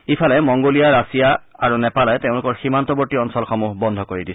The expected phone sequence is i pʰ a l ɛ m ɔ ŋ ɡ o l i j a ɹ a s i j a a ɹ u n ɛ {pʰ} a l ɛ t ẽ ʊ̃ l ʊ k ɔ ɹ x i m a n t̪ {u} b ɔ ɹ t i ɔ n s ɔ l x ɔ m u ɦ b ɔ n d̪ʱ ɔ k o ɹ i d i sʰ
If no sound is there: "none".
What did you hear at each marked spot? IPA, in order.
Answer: p, ɔ

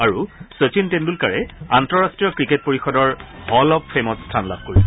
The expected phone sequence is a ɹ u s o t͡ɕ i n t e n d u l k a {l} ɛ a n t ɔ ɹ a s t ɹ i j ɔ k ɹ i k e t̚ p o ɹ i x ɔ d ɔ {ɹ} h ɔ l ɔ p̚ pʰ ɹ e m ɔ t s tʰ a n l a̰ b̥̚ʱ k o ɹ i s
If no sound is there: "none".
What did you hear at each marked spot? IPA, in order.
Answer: ɹ, ɹ

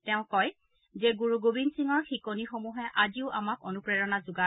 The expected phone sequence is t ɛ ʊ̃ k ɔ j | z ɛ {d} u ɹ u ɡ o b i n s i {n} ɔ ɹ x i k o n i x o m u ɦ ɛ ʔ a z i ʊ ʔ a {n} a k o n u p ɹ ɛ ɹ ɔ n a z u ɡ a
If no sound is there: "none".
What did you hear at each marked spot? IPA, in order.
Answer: ɡ, ŋ, m

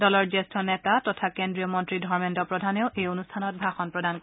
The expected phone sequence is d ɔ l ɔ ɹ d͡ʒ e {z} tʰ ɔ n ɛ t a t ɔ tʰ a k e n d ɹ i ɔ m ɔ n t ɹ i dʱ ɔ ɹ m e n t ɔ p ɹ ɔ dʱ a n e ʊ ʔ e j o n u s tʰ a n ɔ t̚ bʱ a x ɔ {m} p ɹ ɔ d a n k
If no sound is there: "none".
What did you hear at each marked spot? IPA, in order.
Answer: s, n

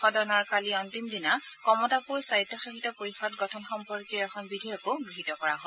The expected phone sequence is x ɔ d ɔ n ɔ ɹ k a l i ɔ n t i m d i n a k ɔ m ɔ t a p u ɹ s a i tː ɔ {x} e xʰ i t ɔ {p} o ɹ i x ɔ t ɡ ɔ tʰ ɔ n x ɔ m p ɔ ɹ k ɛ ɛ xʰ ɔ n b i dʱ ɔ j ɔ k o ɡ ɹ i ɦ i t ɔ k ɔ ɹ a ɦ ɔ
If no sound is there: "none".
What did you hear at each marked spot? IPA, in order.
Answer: x, p

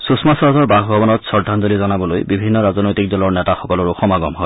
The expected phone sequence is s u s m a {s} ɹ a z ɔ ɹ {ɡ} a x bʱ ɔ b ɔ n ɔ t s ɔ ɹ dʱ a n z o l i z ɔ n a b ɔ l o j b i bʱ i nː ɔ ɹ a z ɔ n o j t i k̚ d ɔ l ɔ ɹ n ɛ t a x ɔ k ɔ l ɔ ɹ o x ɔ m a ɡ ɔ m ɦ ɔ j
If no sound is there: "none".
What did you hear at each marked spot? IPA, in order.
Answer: s, b

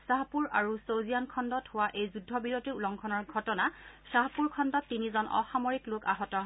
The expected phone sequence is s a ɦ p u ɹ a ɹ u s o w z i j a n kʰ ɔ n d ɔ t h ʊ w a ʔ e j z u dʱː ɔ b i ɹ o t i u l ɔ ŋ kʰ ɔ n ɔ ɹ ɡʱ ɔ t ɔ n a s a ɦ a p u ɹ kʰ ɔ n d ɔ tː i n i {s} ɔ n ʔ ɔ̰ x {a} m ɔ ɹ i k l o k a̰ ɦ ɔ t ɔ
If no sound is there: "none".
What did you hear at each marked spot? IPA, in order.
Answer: z, a

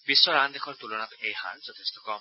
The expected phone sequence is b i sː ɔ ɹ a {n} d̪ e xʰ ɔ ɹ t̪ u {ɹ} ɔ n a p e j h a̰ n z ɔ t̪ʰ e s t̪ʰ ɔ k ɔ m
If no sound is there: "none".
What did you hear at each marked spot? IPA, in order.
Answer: n, l

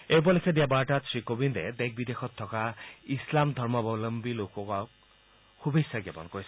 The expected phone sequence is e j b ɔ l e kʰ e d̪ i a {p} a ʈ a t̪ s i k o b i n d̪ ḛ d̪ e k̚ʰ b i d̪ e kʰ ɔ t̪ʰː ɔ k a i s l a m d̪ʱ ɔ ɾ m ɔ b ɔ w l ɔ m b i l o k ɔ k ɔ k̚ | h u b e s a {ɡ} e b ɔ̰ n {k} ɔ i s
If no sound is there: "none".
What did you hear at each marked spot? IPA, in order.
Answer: b, ɡ, k

